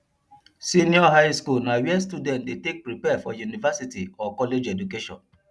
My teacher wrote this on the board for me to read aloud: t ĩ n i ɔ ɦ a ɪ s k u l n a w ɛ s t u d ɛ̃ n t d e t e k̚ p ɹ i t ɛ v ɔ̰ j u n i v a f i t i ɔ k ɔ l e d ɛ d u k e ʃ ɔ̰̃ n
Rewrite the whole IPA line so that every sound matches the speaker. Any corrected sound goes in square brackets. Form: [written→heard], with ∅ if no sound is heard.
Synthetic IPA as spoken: [t→s] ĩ n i ɔ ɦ a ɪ s k u l n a w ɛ s t u d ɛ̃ n t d e t e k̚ p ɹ i [t→p] ɛ [v→f] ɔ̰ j u n i v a [f→s] i t i ɔ k ɔ l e [d→d͡ʒ] ɛ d u k e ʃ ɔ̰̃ n